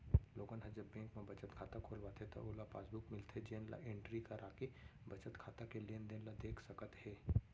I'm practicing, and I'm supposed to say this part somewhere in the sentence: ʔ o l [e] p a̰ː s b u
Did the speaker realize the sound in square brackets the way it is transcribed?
no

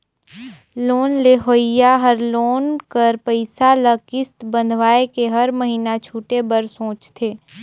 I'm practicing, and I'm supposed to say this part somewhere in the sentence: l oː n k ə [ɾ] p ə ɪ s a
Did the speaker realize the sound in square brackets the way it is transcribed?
yes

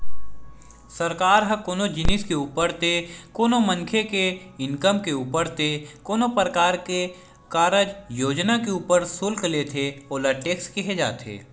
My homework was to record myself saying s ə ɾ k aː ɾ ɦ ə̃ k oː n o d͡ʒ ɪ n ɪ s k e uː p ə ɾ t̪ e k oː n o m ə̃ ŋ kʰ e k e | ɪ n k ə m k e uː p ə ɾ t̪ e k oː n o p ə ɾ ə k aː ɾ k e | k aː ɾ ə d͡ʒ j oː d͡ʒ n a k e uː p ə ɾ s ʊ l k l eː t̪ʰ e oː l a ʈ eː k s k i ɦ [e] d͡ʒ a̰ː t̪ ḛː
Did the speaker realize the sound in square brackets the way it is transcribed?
yes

